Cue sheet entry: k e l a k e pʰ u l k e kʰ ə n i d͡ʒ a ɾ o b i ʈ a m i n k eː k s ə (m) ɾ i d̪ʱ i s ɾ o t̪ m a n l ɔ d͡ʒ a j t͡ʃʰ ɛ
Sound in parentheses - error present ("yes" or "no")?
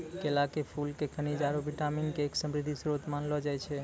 no